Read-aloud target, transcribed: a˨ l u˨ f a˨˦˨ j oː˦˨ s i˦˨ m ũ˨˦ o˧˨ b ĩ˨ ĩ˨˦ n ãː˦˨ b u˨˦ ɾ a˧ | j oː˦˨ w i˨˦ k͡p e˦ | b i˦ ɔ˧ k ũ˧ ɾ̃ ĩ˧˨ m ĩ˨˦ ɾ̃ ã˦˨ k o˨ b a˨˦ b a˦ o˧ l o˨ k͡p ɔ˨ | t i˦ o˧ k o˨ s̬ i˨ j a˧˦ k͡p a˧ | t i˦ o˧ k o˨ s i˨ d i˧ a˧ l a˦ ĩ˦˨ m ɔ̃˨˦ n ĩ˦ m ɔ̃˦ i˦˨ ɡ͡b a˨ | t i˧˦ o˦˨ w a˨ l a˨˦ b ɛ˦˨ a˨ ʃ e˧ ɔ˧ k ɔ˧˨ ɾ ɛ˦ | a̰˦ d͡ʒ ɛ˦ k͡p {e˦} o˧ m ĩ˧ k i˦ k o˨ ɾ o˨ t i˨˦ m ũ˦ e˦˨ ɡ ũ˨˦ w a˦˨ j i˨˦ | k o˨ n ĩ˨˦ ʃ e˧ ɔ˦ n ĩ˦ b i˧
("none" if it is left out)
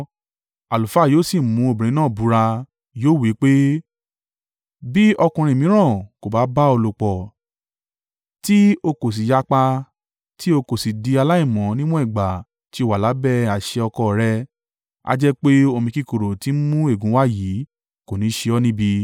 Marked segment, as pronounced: e˦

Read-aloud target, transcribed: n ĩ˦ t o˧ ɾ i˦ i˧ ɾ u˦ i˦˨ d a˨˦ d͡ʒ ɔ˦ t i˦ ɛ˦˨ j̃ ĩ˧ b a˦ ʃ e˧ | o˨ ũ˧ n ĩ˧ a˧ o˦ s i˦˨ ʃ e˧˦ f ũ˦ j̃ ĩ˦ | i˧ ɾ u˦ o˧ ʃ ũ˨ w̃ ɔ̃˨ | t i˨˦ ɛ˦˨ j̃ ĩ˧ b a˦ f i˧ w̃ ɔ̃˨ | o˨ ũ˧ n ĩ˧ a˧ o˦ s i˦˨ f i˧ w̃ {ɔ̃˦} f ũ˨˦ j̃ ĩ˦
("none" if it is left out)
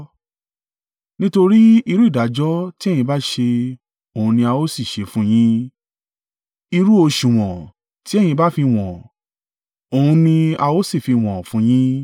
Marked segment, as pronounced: ɔ̃˨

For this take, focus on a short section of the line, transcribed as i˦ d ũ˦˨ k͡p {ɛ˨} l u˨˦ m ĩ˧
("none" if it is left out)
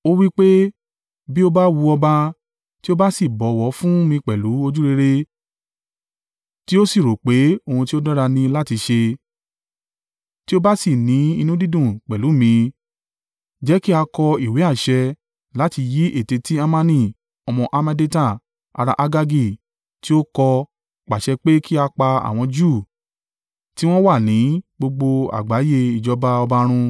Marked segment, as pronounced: ɛ˨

